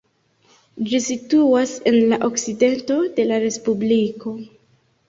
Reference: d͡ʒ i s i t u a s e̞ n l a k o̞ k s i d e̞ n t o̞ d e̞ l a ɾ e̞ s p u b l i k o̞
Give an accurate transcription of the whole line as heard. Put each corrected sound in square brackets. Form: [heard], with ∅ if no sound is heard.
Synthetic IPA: d͡ʒ i s i t u a s e̞ n l a [ʔ] o̞ k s i d e̞ n t o̞ d e̞ l a ɾ e̞ s p u b l i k o̞